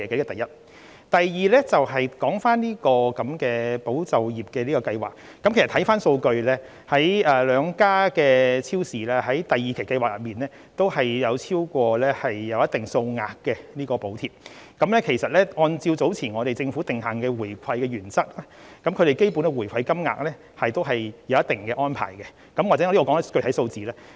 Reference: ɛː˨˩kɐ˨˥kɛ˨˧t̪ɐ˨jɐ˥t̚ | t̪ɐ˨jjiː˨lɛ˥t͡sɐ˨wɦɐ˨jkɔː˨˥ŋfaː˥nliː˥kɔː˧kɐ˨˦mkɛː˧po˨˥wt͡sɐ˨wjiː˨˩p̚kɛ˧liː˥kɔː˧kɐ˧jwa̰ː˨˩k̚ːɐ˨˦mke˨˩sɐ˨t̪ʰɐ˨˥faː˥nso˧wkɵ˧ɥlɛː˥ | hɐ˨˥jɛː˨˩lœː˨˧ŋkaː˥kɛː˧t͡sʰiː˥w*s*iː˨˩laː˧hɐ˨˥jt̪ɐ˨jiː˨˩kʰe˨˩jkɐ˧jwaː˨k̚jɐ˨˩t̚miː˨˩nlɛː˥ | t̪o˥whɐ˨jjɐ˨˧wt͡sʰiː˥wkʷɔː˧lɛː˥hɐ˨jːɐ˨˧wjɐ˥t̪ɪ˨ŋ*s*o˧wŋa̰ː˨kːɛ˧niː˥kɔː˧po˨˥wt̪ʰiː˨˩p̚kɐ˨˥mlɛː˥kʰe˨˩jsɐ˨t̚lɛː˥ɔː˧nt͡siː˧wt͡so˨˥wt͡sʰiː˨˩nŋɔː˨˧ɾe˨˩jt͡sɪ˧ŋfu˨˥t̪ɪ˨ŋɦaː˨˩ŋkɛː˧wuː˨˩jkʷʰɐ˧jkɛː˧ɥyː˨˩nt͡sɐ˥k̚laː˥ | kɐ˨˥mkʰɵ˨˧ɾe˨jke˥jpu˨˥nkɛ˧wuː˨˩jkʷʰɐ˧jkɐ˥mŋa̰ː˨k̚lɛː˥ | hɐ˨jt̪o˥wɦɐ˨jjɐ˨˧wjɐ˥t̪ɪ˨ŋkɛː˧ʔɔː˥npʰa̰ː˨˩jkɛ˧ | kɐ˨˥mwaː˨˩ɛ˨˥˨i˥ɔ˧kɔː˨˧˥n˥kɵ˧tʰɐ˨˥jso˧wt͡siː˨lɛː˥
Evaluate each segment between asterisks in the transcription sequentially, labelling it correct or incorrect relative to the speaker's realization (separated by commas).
correct, correct